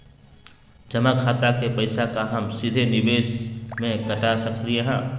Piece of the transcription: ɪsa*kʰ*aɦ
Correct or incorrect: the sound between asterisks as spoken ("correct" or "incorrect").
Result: incorrect